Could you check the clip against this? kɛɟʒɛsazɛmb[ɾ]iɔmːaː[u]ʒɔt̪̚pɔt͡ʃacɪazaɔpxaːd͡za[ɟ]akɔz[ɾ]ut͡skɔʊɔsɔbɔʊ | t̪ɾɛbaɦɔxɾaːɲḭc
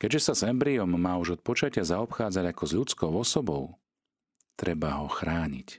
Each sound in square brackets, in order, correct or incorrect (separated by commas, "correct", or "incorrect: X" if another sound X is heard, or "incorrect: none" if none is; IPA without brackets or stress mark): correct, correct, correct, incorrect: ʎ